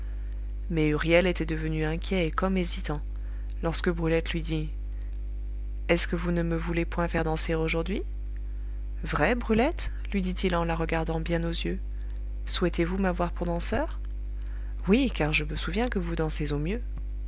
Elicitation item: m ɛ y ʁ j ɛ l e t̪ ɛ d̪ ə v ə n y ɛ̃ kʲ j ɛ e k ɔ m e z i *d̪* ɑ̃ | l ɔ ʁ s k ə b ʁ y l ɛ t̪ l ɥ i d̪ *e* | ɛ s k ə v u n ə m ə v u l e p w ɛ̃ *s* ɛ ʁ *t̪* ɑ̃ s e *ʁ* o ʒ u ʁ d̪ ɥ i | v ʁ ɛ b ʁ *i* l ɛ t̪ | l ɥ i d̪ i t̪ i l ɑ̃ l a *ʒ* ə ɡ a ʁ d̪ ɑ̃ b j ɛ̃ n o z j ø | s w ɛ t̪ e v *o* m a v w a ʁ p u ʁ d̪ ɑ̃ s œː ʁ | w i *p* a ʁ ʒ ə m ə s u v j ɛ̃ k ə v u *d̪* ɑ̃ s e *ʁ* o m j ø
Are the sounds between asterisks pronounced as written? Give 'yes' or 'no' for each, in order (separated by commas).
no, no, no, no, yes, no, no, no, no, yes, no